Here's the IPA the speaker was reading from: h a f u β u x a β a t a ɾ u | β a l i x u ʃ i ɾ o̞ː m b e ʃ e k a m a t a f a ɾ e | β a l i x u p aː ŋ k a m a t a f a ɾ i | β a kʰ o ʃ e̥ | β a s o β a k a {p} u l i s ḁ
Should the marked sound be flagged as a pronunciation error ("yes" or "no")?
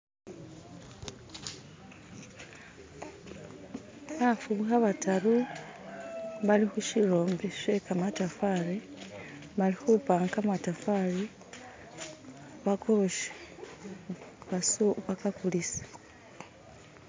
yes